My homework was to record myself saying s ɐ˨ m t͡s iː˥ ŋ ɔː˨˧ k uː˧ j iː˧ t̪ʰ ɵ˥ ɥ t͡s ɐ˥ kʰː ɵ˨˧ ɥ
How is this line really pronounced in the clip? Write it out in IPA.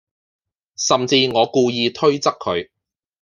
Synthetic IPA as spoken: s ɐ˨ m t͡s iː˧ ŋ ɔː˨˧ k uː˧ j iː˧ t̪ʰ ɵ˥ ɥ t͡s ɐ˥ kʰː ɵ˨˧ ɥ